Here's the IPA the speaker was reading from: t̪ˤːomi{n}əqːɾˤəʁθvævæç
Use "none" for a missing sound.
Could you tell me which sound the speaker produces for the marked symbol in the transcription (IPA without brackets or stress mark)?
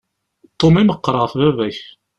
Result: m